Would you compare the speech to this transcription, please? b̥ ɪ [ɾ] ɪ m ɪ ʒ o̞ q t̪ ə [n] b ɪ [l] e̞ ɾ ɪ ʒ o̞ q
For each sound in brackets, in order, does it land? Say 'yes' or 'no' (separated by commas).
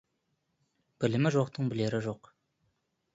no, no, yes